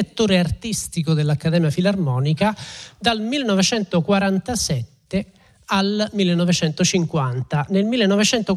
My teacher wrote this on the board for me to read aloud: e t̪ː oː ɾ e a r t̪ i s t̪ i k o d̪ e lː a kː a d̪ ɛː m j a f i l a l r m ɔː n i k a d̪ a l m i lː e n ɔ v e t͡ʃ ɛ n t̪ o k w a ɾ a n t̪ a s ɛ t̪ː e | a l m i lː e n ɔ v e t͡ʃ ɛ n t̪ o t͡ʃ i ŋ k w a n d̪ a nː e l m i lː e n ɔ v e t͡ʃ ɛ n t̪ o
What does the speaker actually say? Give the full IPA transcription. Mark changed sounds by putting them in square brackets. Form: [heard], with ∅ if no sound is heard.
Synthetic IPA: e t̪ː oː ɾ e a r t̪ i s t̪ i k o d̪ e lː a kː a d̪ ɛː m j a f i l a [∅] r m ɔː n i k a d̪ a l m i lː e n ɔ v e t͡ʃ ɛ n t̪ o k w a ɾ a n t̪ a s ɛ t̪ː e | a l m i lː e n ɔ v e t͡ʃ ɛ n t̪ o t͡ʃ i ŋ k w a n [t̪] a [n] e l m i lː e n ɔ v e t͡ʃ ɛ n t̪ o